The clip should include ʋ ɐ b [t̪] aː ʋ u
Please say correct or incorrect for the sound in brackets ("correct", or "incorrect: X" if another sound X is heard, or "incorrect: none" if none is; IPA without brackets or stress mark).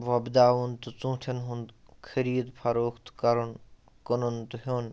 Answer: incorrect: d̪